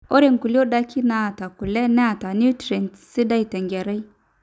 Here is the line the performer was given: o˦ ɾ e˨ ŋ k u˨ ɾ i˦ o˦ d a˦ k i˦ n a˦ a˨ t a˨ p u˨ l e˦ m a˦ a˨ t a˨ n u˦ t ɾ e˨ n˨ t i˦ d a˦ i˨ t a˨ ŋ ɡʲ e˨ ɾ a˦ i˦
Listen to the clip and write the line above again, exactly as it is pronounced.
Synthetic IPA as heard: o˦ ɾ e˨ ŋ k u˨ l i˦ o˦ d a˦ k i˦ n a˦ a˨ t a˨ k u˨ l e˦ n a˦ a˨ t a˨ n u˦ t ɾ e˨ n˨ s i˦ d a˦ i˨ t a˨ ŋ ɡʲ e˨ ɾ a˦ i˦